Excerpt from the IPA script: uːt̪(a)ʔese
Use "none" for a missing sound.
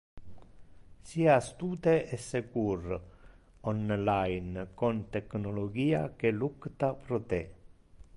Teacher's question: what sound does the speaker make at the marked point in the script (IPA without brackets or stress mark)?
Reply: e